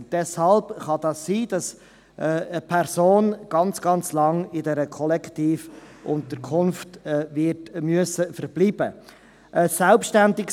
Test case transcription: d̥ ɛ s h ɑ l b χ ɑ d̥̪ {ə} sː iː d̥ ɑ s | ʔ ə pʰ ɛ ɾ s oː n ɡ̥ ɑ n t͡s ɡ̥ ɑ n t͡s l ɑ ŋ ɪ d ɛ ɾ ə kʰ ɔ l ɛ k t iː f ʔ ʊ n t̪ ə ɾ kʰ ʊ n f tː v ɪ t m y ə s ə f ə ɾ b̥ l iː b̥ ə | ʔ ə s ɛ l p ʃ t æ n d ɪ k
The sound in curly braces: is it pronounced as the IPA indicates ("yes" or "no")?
no